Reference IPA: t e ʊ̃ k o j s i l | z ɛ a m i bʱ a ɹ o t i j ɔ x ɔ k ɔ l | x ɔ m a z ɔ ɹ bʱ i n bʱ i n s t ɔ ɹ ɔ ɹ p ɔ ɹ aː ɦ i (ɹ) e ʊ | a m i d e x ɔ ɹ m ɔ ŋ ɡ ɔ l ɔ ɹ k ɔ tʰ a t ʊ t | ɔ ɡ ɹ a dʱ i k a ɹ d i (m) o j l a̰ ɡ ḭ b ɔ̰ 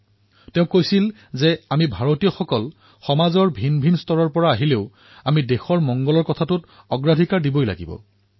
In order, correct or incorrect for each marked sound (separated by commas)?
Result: incorrect, incorrect